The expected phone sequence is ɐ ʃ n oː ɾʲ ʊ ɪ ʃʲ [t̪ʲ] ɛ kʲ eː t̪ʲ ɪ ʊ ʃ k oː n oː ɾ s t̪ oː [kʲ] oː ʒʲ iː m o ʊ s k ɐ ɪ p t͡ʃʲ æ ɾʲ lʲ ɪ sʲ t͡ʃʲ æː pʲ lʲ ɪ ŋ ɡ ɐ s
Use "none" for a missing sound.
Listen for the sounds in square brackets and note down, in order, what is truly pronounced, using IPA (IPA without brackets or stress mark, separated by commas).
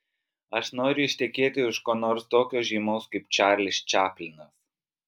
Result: t̪ʲ, kʲ